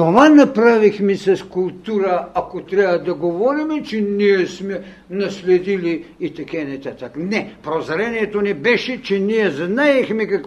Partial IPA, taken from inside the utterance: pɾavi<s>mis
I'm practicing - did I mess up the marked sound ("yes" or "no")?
yes